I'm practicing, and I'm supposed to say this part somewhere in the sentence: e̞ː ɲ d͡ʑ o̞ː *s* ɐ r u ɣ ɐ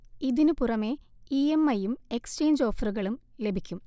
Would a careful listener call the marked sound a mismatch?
yes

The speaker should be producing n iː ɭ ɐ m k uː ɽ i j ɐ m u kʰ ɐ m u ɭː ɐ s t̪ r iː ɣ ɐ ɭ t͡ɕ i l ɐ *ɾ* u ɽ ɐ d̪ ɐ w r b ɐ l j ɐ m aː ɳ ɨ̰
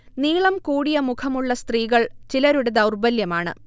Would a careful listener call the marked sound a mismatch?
no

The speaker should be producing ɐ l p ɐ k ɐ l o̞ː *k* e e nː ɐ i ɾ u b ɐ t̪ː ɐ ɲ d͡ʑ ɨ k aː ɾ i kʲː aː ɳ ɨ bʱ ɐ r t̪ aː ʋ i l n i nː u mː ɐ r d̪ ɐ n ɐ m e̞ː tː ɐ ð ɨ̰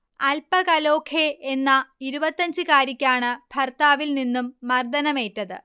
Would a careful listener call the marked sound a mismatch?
yes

